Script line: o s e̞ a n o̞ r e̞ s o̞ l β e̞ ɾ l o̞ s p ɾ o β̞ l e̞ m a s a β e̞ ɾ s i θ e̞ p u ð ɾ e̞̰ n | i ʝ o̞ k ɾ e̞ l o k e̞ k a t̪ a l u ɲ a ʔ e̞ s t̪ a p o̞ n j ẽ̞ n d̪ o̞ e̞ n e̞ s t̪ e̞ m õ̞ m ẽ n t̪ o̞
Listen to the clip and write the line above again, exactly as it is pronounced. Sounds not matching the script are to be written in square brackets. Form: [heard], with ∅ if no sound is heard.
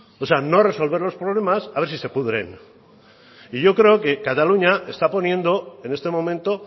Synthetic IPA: o s e̞ a n o̞ r e̞ s o̞ l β e̞ ɾ l o̞ s p ɾ o β̞ l e̞ m a s a β e̞ ɾ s i [s] e̞ p u ð ɾ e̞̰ n | i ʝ o̞ k ɾ e̞ [∅] o k e̞ k a t̪ a l u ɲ a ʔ e̞ s t̪ a p o̞ n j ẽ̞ n d̪ o̞ e̞ n e̞ s t̪ e̞ m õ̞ m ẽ n t̪ o̞